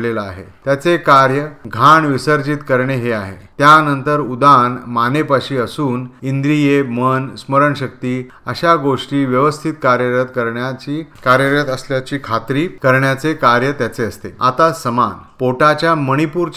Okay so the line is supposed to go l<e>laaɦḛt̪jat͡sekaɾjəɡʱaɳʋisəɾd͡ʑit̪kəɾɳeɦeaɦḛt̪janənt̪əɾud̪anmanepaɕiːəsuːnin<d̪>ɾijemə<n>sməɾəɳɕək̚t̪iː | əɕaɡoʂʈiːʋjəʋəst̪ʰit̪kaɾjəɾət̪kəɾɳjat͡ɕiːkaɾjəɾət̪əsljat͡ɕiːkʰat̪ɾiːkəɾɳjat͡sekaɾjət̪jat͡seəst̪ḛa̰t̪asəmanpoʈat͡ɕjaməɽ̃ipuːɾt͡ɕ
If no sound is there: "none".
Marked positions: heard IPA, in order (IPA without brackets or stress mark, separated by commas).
e, d̪, n